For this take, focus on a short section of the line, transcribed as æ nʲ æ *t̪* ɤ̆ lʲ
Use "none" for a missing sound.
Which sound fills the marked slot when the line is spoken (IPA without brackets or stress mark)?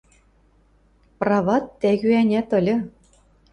t̪